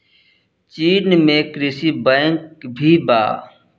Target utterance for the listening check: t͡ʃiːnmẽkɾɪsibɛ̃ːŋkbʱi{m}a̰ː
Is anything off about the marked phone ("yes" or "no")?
yes